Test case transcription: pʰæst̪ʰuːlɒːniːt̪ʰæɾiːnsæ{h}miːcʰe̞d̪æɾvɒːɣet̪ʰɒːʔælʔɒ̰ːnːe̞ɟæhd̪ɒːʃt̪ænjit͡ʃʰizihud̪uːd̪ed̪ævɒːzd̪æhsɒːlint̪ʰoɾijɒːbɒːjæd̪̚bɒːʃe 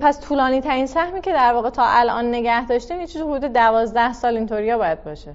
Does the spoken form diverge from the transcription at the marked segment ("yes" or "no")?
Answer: no